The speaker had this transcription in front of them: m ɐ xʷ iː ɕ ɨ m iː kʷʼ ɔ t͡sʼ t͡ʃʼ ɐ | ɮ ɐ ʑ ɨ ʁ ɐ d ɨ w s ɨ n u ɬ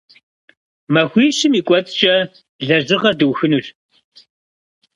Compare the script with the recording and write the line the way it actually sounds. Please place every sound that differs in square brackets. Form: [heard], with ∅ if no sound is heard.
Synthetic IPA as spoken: m ɐ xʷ iː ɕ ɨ m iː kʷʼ ɔ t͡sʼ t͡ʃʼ ɐ | ɮ ɐ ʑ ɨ ʁ ɐ d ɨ w [x] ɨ n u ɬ